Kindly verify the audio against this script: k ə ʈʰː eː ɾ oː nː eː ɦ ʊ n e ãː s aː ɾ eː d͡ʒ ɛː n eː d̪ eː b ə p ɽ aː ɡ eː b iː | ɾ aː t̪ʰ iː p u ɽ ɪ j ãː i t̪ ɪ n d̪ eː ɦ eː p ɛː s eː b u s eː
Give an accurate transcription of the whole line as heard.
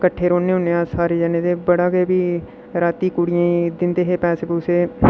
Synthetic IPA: k ə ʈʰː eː ɾ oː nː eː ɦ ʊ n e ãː s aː ɾ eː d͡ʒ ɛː n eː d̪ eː b ə ɽ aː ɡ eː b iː | ɾ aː t̪ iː k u ɽ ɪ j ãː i d̪ ɪ n d̪ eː ɦ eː p ɛː s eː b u s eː